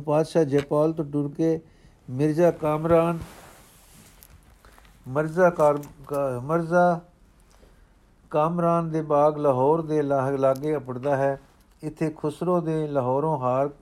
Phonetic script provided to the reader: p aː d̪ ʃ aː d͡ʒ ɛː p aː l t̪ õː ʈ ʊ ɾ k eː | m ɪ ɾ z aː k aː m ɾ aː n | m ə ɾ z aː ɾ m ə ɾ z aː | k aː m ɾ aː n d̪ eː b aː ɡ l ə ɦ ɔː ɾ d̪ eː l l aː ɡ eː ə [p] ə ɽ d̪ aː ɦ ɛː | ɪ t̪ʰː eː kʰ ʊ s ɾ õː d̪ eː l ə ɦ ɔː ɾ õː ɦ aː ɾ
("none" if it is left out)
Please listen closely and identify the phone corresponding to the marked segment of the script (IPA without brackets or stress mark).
p